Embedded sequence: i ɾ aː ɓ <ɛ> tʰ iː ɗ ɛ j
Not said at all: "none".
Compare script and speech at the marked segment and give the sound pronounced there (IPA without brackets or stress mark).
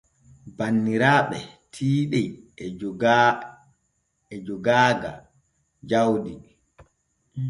ɛ